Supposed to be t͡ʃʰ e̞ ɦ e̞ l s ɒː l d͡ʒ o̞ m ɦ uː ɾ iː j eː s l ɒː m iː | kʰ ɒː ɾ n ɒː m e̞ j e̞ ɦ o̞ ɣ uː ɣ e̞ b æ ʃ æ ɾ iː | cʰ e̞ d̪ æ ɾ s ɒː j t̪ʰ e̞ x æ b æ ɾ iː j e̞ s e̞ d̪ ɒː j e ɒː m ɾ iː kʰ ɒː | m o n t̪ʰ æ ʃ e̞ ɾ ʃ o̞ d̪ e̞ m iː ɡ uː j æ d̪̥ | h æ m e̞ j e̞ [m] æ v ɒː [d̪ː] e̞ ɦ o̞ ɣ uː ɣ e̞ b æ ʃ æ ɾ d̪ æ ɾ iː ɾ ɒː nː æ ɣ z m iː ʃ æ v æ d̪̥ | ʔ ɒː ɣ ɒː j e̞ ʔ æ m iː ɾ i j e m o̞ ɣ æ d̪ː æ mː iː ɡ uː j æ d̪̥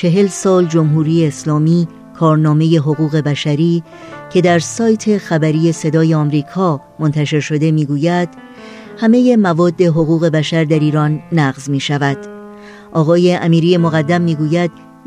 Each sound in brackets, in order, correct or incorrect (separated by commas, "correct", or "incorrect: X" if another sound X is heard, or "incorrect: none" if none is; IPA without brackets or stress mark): correct, correct